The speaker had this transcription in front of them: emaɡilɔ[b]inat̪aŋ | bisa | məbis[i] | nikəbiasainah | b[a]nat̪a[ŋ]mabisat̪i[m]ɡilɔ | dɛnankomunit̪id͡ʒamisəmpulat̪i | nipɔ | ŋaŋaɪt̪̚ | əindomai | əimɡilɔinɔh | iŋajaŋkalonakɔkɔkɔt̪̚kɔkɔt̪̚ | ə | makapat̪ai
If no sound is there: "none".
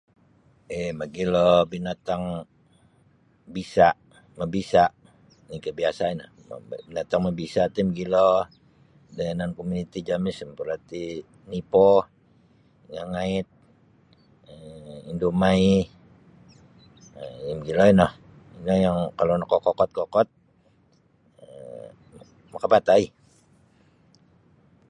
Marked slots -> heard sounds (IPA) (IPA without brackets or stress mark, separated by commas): b, a, i, ŋ, m